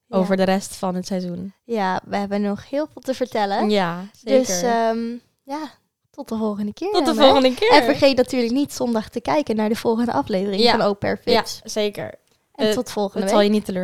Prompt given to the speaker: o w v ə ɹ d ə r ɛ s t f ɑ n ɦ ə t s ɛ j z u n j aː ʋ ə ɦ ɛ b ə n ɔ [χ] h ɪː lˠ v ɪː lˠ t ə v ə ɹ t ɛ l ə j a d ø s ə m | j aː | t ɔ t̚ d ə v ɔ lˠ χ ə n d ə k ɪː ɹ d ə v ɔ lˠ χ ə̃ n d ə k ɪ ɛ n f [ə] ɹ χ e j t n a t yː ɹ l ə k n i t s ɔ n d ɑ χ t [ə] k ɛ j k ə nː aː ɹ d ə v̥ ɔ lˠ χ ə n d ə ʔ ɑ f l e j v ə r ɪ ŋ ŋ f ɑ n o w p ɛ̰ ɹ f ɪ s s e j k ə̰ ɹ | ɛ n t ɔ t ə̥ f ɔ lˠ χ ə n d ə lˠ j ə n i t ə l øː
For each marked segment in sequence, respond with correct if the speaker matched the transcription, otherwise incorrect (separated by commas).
correct, correct, correct